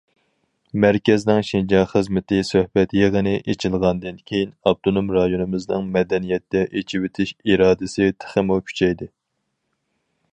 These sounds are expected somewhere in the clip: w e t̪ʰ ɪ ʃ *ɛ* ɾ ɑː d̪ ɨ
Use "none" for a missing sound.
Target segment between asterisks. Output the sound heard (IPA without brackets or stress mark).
i